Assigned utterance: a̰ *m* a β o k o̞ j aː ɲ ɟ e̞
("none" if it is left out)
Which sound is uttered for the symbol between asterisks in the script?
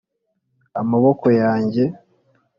m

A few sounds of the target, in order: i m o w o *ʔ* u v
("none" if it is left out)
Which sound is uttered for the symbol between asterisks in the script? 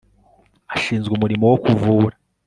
k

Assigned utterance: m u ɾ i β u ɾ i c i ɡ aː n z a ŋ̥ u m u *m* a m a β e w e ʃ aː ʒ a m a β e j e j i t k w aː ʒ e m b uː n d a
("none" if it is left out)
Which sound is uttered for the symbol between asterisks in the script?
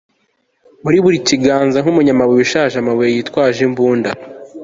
ɲ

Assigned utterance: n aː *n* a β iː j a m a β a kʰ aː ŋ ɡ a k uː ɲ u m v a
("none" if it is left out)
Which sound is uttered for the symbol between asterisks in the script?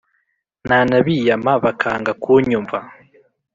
n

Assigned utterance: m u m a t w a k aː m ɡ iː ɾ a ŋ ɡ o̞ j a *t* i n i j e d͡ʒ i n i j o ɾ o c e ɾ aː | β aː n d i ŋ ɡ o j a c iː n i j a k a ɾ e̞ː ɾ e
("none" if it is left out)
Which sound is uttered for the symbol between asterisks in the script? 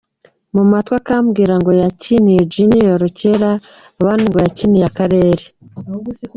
c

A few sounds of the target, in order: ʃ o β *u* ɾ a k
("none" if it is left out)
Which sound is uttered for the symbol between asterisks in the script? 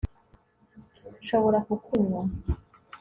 o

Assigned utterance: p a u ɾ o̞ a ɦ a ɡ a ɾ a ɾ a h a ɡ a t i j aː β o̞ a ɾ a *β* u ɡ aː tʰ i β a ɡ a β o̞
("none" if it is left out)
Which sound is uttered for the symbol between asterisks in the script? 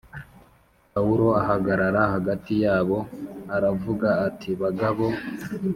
v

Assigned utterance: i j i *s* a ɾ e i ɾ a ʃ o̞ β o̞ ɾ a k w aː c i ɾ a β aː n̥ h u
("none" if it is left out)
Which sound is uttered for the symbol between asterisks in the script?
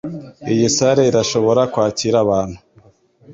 s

